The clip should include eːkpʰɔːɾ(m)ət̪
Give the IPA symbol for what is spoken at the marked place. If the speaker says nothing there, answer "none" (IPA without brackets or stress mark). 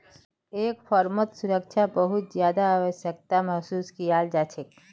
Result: m